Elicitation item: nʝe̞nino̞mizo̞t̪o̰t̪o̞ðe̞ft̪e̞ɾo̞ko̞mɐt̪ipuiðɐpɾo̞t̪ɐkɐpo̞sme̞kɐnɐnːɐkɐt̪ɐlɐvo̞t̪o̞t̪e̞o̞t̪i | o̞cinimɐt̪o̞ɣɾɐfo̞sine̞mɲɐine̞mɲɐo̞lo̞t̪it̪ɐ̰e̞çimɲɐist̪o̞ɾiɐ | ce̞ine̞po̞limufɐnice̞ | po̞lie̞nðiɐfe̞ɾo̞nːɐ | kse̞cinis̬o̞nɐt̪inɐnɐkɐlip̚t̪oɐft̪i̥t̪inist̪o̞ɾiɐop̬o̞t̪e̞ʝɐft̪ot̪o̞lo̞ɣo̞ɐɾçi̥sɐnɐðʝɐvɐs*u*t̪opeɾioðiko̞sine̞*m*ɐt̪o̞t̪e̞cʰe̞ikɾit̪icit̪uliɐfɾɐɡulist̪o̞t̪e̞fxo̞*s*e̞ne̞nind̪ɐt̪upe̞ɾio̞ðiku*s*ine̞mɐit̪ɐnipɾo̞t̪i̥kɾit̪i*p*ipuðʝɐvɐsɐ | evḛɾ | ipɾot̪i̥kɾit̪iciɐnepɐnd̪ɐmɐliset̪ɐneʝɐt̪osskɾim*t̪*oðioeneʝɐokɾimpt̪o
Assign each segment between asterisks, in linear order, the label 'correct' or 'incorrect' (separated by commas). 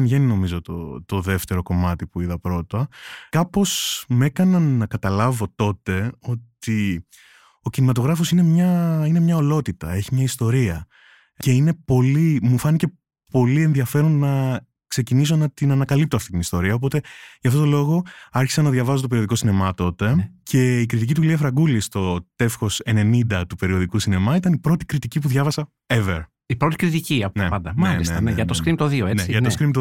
incorrect, correct, correct, correct, incorrect, correct